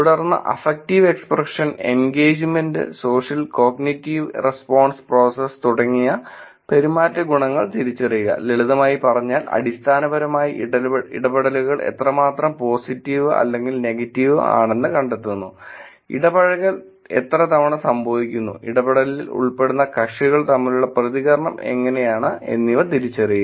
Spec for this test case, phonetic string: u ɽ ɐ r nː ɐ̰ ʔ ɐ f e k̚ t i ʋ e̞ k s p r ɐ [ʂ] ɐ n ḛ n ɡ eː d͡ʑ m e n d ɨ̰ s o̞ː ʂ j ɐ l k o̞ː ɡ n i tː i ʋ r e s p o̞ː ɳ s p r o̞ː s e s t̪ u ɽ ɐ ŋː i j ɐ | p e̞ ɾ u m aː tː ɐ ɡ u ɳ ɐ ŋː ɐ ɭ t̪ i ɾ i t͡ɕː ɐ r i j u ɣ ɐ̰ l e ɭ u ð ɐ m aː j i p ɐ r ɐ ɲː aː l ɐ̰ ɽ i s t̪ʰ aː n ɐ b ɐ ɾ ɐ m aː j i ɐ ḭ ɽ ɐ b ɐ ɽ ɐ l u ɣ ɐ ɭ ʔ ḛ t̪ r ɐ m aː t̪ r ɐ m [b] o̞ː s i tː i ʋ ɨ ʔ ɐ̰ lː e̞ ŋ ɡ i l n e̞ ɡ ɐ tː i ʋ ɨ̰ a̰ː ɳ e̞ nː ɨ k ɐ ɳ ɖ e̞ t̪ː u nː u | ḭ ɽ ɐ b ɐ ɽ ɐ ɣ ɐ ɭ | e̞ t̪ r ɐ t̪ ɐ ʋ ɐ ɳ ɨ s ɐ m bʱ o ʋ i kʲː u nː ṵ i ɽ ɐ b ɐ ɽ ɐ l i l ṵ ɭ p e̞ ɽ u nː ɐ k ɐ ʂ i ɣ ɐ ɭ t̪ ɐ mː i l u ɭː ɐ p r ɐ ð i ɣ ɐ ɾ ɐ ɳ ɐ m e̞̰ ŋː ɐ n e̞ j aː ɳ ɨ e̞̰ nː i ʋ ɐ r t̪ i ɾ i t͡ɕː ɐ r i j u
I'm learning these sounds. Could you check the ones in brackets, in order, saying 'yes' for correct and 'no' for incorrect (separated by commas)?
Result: yes, no